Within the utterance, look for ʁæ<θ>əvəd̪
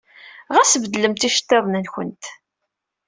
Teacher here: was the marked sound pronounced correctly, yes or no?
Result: no